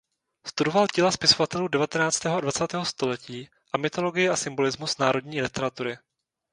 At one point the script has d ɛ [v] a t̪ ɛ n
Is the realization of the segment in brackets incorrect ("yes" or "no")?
no